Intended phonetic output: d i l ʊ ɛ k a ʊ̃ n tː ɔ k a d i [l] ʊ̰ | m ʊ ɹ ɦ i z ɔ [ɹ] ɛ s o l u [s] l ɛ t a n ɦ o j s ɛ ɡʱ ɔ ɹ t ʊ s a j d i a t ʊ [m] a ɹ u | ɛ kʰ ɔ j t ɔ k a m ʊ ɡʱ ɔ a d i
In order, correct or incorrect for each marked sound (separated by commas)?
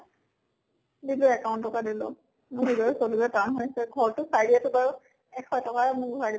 correct, correct, incorrect, incorrect